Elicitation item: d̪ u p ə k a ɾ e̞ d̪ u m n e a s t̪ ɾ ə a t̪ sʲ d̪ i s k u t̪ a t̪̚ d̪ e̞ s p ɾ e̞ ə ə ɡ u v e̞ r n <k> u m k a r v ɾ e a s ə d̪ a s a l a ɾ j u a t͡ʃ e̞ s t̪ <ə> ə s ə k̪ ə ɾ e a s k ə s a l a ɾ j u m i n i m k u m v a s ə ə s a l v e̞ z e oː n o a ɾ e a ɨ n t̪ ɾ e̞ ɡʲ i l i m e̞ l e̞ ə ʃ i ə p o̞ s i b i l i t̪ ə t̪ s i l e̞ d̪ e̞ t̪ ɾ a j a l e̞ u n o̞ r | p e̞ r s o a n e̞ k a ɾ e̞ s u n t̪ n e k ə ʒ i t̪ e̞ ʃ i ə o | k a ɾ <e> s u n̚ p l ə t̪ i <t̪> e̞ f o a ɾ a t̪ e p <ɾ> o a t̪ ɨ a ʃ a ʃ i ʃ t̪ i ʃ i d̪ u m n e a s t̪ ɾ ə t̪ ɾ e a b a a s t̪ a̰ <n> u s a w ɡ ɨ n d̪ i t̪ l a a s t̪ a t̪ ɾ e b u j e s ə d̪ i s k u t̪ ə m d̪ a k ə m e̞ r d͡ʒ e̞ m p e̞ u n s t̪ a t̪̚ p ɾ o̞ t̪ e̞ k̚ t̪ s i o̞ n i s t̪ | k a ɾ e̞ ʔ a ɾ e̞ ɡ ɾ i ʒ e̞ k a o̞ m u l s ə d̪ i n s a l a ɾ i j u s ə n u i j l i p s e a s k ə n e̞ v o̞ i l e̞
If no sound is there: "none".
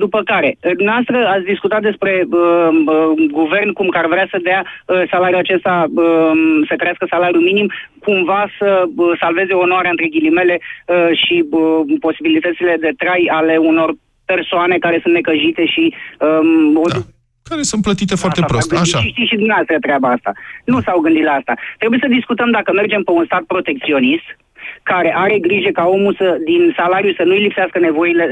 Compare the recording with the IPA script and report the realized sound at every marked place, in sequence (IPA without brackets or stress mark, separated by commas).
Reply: k, a, e, t̪, ɾ, n